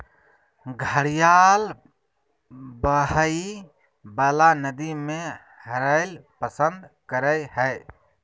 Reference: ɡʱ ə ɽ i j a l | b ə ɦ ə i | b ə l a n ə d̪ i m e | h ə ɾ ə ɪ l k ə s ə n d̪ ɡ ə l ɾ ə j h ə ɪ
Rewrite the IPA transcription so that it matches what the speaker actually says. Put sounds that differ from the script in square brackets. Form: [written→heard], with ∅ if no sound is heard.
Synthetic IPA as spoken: ɡʱ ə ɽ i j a l | b ə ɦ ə i | b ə l a n ə d̪ i m e | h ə ɾ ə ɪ l [k→p] ə s ə n d̪ [ɡ→k] ə [l→∅] ɾ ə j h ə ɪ